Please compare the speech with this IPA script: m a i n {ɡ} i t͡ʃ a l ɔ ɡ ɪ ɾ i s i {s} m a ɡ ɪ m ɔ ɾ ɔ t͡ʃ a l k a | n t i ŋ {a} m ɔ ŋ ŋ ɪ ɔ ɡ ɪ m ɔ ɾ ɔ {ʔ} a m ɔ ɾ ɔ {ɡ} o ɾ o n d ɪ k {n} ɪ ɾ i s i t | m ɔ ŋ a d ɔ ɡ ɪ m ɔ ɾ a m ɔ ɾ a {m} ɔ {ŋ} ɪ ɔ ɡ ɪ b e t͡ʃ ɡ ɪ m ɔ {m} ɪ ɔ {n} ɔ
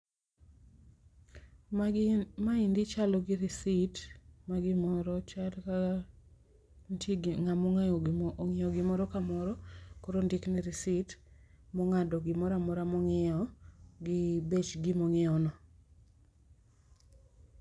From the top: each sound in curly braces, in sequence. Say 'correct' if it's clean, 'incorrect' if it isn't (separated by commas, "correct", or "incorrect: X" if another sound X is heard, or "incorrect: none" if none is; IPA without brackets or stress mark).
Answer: incorrect: d, incorrect: t, correct, incorrect: k, incorrect: k, correct, correct, correct, incorrect: ŋ, correct